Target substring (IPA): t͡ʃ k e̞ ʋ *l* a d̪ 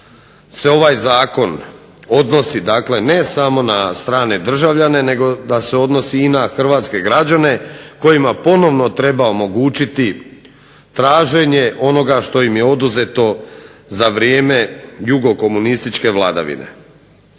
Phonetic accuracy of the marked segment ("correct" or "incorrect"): correct